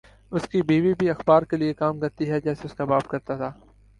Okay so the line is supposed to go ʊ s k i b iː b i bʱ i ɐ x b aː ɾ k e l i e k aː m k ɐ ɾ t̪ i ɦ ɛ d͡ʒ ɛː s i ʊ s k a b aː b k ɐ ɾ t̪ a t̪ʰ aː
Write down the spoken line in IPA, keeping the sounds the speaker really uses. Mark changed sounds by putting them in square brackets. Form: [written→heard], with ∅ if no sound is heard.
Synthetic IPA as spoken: ʊ s k i b iː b i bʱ i ɐ x b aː ɾ k e l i e k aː m k ɐ ɾ t̪ i ɦ ɛ d͡ʒ ɛː s [i→e] ʊ s k a b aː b k ɐ ɾ t̪ a t̪ʰ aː

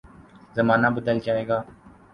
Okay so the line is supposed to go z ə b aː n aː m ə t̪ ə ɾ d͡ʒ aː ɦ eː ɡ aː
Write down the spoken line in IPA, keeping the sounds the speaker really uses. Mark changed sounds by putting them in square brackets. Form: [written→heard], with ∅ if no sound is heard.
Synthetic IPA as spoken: z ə [b→m] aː n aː [m→b] ə [t̪→d̪] ə [ɾ→l] d͡ʒ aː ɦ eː ɡ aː

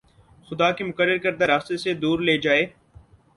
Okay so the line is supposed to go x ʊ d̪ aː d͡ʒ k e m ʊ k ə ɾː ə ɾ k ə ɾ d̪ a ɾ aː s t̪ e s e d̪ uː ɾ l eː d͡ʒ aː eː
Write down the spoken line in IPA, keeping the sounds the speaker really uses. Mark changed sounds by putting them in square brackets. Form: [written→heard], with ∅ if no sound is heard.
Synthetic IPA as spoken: x ʊ d̪ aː [d͡ʒ→∅] k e m ʊ k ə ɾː ə ɾ k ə ɾ d̪ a ɾ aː s t̪ e s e d̪ uː ɾ l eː d͡ʒ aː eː

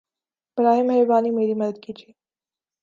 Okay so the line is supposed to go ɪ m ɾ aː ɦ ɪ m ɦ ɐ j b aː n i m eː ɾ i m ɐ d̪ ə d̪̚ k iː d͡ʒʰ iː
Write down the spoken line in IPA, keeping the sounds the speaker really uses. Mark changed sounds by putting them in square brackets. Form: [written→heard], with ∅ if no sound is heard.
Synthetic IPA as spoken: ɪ [m→b] ɾ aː ɦ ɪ m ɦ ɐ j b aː n i m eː ɾ i m ɐ d̪ ə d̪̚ k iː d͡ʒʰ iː

